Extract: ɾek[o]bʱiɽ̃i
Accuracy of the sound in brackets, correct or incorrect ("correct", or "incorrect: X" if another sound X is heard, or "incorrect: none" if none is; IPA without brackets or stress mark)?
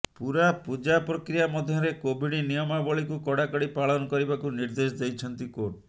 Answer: correct